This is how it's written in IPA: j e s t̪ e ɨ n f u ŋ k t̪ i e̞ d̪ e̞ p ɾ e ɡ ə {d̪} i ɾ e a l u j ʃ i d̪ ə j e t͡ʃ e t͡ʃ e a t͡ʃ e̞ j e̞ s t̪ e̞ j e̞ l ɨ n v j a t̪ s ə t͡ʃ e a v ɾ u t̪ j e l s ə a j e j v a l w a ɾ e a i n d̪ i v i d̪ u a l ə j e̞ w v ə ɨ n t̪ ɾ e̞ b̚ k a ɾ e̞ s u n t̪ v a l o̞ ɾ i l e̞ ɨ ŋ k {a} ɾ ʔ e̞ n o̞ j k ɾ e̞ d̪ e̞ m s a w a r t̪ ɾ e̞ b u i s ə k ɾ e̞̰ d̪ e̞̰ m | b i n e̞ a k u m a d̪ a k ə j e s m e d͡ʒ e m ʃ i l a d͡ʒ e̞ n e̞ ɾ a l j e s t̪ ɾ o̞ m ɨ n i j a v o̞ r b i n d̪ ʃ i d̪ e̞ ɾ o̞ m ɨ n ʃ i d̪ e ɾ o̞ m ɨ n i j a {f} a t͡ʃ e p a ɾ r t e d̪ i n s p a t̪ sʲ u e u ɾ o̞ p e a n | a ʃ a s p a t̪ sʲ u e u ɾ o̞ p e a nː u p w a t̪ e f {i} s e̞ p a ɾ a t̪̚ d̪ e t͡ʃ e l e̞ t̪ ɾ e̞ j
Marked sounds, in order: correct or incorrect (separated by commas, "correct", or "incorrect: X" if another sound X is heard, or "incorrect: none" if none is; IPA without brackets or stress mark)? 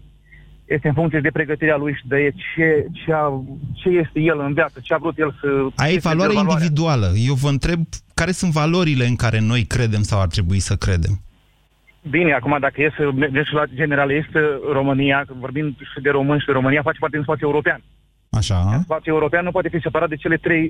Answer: incorrect: t̪, correct, correct, correct